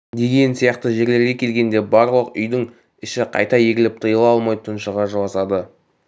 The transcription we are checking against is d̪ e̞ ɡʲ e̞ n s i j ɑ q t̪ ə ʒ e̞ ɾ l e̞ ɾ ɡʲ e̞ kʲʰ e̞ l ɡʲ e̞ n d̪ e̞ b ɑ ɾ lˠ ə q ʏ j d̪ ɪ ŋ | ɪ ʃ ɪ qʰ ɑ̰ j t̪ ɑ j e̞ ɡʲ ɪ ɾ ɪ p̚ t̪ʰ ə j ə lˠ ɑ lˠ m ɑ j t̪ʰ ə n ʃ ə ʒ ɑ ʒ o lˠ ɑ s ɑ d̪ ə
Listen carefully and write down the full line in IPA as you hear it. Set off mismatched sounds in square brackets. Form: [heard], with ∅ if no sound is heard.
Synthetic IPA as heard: d̪ e̞ ɡʲ e̞ n s i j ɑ q t̪ ə ʒ e̞ ɾ l e̞ ɾ ɡʲ e̞ kʲʰ e̞ l ɡʲ e̞ n d̪ e̞ b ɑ ɾ lˠ ə q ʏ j d̪ ɪ ŋ | ɪ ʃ ɪ qʰ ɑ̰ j t̪ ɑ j e̞ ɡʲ ɪ [l] ɪ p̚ t̪ʰ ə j ə lˠ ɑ lˠ m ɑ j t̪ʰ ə n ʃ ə [ʁ] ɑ ʒ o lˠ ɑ s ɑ d̪ ə